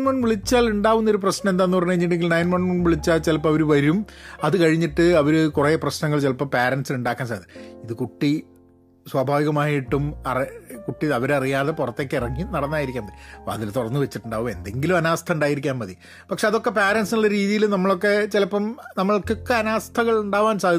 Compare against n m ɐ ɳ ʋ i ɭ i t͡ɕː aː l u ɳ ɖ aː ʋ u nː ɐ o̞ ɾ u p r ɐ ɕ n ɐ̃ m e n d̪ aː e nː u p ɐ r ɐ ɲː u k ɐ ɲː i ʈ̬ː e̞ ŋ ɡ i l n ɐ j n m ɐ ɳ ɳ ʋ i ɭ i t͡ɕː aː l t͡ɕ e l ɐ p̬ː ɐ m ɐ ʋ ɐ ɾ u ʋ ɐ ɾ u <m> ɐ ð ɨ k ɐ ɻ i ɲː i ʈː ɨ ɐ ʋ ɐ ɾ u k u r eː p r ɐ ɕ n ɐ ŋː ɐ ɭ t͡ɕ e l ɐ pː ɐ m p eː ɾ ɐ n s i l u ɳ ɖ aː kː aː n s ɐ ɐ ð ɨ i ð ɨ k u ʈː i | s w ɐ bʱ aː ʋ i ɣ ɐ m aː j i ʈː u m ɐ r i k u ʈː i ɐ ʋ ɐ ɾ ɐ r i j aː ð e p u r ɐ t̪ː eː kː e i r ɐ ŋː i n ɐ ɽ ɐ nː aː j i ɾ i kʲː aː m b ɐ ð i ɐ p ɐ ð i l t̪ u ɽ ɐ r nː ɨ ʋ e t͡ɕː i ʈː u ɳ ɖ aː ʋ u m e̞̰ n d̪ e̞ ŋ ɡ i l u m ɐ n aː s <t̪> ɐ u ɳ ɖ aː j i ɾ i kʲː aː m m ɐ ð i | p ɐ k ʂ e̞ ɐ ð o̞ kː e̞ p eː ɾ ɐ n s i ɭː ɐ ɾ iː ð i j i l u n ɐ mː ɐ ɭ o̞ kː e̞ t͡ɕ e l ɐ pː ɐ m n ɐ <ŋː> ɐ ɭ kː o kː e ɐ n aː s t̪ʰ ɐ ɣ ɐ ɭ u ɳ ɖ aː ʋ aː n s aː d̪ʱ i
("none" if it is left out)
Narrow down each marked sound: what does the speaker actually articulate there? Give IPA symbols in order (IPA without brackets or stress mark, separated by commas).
m, t̪ʰ, mː